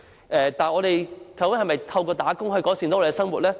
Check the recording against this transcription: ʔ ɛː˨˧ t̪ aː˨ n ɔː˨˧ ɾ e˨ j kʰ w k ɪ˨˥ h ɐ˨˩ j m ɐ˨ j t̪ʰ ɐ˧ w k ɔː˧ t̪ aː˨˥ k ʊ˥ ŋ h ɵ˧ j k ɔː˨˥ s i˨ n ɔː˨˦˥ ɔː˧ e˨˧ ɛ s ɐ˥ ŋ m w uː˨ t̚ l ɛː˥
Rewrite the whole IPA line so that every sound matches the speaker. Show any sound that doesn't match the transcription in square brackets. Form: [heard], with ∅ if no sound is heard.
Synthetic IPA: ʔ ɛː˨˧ t̪ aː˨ n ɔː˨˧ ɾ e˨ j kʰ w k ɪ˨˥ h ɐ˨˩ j m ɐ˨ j t̪ʰ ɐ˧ w k ɔː˧ t̪ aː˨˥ k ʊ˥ ŋ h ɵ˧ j k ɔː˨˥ s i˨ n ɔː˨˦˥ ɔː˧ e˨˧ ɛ s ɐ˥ ŋ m w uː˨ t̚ l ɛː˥